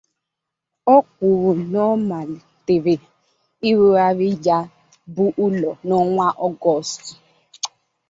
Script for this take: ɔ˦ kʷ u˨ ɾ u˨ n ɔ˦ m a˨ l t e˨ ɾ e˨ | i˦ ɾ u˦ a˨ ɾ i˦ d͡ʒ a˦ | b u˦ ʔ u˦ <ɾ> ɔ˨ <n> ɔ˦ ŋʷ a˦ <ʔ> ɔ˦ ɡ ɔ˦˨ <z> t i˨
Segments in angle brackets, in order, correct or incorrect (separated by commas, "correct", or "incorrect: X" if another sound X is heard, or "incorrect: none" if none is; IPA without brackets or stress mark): incorrect: l, correct, correct, incorrect: s